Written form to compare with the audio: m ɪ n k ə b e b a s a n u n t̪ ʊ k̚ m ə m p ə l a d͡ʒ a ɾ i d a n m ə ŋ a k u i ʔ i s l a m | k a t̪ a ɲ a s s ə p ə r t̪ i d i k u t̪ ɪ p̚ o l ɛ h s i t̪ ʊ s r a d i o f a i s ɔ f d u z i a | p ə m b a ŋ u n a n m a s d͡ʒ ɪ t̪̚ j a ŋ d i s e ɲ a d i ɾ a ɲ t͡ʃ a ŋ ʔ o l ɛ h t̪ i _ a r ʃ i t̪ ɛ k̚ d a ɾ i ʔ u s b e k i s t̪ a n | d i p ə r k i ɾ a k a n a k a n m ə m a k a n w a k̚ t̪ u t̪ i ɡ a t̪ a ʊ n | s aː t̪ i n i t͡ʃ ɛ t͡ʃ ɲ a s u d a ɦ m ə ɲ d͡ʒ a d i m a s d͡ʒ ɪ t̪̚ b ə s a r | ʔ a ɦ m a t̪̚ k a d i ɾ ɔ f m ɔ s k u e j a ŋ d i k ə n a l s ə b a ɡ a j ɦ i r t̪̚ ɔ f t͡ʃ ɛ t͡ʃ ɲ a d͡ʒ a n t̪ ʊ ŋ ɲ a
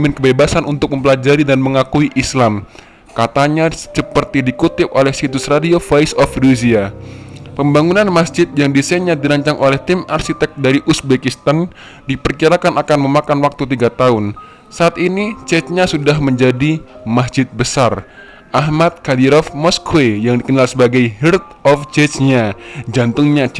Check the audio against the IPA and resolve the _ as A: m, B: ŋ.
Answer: A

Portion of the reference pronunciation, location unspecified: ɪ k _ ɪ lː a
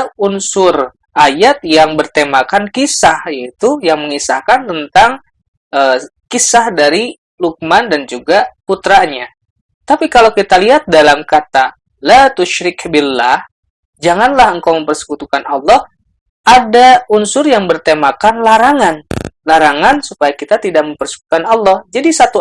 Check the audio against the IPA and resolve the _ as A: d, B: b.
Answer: B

